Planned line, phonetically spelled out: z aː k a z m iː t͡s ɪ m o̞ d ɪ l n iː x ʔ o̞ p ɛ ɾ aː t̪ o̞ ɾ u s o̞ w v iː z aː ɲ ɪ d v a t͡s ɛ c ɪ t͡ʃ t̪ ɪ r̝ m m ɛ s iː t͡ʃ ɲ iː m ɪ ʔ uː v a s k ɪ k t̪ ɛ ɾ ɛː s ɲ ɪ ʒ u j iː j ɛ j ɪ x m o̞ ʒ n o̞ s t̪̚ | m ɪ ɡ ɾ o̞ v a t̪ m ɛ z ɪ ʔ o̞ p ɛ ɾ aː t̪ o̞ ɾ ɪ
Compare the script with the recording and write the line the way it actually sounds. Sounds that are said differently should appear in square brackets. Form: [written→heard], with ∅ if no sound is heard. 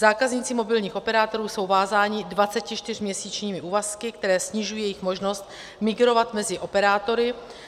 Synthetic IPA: z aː k a z [m→ɲ] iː t͡s ɪ m o̞ [d→b] ɪ l [n→ɲ] iː x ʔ o̞ p ɛ ɾ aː t̪ o̞ ɾ [u→uː] s o̞ w v [iː→aː] z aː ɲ ɪ d v a t͡s ɛ c ɪ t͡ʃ t̪ ɪ r̝ m [m→ɲ] ɛ s iː t͡ʃ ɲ iː m ɪ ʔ uː v a s k ɪ k t̪ ɛ ɾ ɛː s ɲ ɪ ʒ u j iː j ɛ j ɪ x m o̞ ʒ n o̞ s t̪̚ | m ɪ ɡ ɾ o̞ v a t̪ m ɛ z ɪ ʔ o̞ p ɛ ɾ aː t̪ o̞ ɾ ɪ

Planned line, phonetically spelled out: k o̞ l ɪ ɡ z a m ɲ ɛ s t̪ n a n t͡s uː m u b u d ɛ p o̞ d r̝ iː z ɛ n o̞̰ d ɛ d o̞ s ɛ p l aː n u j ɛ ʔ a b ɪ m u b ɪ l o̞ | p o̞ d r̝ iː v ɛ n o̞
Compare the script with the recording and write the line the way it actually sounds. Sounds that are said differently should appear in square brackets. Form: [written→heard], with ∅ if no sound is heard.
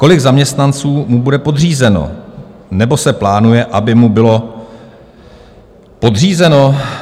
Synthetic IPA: k o̞ l ɪ ɡ z a m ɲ ɛ s t̪ n a n t͡s uː m u b u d ɛ p o̞ d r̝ iː z ɛ n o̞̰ [d→n] ɛ [d→b] o̞ s ɛ p l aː n u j ɛ ʔ a b ɪ m u b ɪ l o̞ | p o̞ d r̝ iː [v→z] ɛ n o̞

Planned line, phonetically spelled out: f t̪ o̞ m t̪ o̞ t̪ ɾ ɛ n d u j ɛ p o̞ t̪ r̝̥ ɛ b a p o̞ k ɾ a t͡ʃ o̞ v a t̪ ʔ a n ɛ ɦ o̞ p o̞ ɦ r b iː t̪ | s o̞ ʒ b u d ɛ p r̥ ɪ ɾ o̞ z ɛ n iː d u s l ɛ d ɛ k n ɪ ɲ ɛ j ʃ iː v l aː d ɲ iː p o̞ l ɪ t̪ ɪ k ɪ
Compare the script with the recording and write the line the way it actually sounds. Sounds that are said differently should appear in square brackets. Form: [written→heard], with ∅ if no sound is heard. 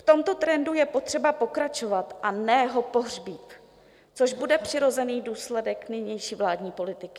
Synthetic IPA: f t̪ o̞ m t̪ o̞ t̪ ɾ ɛ n d u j ɛ p o̞ t̪ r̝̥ ɛ b a p o̞ k ɾ a t͡ʃ o̞ v a t̪ ʔ a n ɛ ɦ o̞ p o̞ ɦ r b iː t̪ | [s→t͡s] o̞ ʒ b u d ɛ p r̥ ɪ ɾ o̞ z ɛ n iː d [u→uː] s l ɛ d ɛ k n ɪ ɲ ɛ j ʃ iː v l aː d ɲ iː p o̞ l ɪ t̪ ɪ k ɪ

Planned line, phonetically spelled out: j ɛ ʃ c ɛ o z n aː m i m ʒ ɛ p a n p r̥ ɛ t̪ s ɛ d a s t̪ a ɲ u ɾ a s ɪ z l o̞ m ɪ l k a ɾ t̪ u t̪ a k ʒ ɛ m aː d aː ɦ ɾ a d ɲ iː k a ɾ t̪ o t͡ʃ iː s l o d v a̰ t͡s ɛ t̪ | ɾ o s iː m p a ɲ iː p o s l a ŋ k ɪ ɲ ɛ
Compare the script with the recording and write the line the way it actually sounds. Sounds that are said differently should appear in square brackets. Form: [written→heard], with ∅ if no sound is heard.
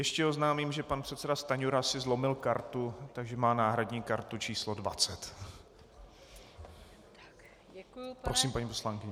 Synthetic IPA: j ɛ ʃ c ɛ o z n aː m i m ʒ ɛ p a n p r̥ ɛ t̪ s ɛ d a s t̪ a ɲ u ɾ a s ɪ z l o̞ m ɪ l k a ɾ t̪ u t̪ a [k→ɡ] ʒ ɛ m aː [d→n] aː ɦ ɾ a d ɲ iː k a ɾ t̪ [o→u] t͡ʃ iː s l o d v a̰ t͡s ɛ t̪ | ɾ o s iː m p a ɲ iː p o s l a ŋ k ɪ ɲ ɛ

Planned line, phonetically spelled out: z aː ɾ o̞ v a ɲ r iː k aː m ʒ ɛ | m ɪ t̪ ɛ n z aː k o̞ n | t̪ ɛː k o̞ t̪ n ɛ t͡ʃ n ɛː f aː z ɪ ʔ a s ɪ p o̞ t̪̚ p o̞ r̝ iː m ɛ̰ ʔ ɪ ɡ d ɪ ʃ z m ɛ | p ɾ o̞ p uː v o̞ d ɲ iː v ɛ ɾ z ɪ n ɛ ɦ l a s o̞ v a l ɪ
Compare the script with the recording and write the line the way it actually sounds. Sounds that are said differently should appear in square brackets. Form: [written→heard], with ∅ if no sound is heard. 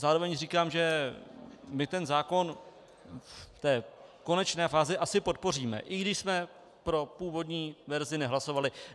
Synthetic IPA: z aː ɾ o̞ v [a→ɛ] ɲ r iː k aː m ʒ ɛ | m ɪ t̪ ɛ n z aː k o̞ n | t̪ ɛː k o̞ [t̪→∅] n ɛ t͡ʃ n ɛː f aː z ɪ ʔ a s ɪ p o̞ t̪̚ p o̞ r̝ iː m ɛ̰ ʔ ɪ ɡ d ɪ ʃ [z→s] m ɛ | p ɾ o̞ p uː v o̞ d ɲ iː v ɛ ɾ z ɪ n ɛ ɦ l a s o̞ v a l ɪ

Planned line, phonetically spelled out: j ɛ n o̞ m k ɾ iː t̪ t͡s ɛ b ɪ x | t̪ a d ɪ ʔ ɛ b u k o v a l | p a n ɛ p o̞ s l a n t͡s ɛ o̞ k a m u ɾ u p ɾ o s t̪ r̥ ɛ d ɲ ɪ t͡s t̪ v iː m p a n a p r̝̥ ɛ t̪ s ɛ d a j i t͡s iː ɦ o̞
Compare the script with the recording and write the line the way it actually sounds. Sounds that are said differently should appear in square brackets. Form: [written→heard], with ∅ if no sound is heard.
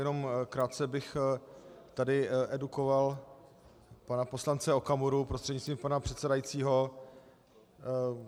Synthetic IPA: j ɛ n o̞ m k ɾ [iː→aː] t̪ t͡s ɛ b ɪ x | t̪ a d ɪ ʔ ɛ [b→d] u k o v a l | p a n [ɛ→a] p o̞ s l a n t͡s ɛ o̞ k a m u ɾ u p ɾ o s t̪ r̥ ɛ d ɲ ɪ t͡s t̪ v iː m p a n a p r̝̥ ɛ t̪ s ɛ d a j i t͡s iː ɦ o̞

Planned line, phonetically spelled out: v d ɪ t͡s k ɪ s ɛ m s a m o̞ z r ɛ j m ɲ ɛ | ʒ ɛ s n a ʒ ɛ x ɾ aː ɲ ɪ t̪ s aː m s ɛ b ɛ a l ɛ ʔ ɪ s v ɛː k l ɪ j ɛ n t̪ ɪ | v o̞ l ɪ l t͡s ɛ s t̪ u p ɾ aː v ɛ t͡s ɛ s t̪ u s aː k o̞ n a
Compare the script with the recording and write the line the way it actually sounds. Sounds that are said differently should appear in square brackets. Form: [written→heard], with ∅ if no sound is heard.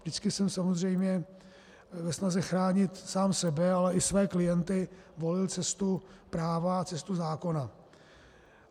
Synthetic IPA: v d ɪ t͡s k ɪ s ɛ m s a m o̞ z r ɛ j m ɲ ɛ | [ʒ→v] ɛ s n a [ʒ→z] ɛ x ɾ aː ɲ ɪ t̪ s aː m s ɛ b ɛ a l ɛ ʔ ɪ s v ɛː k l ɪ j ɛ n t̪ ɪ | v o̞ l ɪ l t͡s ɛ s t̪ u p ɾ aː v [ɛ→a] t͡s ɛ s t̪ u [s→z] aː k o̞ n a

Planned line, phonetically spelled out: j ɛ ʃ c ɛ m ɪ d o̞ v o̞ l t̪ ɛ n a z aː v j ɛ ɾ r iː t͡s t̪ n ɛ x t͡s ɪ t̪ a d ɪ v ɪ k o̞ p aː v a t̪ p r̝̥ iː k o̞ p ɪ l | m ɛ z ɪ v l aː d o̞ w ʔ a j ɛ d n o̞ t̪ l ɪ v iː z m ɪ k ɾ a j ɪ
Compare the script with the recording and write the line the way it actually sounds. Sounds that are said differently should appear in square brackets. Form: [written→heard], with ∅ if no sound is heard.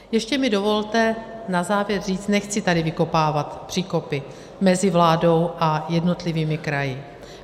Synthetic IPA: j ɛ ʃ c ɛ m ɪ d o̞ v o̞ l t̪ ɛ n a z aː v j ɛ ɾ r iː t͡s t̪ n ɛ x t͡s ɪ t̪ a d ɪ v ɪ k o̞ p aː v a t̪ p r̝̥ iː k o̞ p ɪ [l→∅] | m ɛ z ɪ v l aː d o̞ w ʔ a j ɛ d n o̞ t̪ l ɪ v iː [z→∅] m ɪ k ɾ a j ɪ

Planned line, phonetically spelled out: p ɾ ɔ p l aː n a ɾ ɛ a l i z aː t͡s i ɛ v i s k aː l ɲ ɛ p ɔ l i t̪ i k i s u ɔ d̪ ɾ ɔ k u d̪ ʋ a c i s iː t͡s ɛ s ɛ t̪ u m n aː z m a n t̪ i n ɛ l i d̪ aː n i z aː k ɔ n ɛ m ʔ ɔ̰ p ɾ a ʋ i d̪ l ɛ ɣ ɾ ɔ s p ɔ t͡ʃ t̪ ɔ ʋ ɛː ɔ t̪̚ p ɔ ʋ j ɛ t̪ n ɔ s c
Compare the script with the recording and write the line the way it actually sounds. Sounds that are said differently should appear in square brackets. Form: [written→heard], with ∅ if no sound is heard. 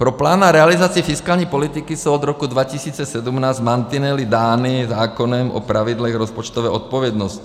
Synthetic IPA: p ɾ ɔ p l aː n a ɾ ɛ a l i z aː t͡s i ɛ [v→f] i s k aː l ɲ ɛ p ɔ l i t̪ i k i s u ɔ d̪ ɾ ɔ k u d̪ ʋ a c i s iː t͡s ɛ s ɛ [t̪→d̪] u m n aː z m a n t̪ i n ɛ l i d̪ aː n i z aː k ɔ n ɛ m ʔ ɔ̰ p ɾ a ʋ i d̪ l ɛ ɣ ɾ ɔ s p ɔ t͡ʃ t̪ ɔ ʋ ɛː ɔ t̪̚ p ɔ ʋ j ɛ [t̪→d̪] n ɔ s c

